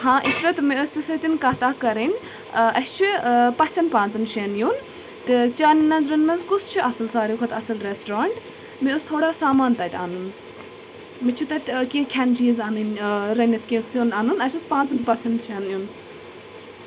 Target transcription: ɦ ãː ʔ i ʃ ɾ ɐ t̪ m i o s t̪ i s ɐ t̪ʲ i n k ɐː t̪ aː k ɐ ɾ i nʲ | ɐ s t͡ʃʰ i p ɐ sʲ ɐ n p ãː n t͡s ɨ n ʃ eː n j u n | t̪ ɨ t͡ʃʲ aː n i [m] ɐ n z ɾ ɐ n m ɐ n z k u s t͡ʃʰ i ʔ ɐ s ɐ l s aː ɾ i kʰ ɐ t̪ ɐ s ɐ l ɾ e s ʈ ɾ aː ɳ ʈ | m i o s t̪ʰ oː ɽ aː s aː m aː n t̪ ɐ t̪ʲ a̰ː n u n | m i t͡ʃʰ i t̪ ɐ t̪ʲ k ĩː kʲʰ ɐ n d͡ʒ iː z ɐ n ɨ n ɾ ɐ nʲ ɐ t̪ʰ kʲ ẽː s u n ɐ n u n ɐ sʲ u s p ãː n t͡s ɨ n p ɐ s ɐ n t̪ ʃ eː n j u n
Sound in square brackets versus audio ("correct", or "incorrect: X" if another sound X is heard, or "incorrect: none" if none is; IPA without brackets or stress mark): incorrect: n